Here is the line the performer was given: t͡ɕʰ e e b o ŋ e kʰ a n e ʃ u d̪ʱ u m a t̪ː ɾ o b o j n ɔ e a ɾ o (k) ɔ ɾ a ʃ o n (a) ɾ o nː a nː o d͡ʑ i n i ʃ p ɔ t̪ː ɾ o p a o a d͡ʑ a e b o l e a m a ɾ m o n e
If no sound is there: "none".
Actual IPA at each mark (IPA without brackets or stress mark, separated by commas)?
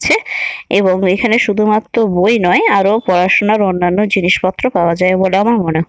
p, a